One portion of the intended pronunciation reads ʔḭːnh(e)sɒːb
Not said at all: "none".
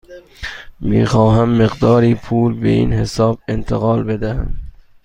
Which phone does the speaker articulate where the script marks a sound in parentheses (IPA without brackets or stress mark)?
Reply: e